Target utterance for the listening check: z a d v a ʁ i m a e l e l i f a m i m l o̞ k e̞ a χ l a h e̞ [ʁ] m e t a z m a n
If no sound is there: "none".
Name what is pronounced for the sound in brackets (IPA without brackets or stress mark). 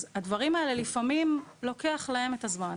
none